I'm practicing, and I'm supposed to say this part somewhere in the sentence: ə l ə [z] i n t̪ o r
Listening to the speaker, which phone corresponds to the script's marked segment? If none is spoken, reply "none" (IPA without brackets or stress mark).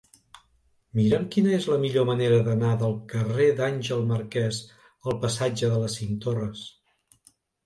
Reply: s